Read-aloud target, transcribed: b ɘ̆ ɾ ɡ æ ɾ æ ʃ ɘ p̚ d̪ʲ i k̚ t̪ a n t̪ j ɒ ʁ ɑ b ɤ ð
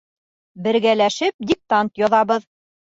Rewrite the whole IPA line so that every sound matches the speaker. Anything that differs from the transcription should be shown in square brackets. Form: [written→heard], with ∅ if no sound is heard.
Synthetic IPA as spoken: b ɘ̆ ɾ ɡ æ [ɾ→l] æ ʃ ɘ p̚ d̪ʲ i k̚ t̪ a n t̪ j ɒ [ʁ→ð] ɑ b ɤ ð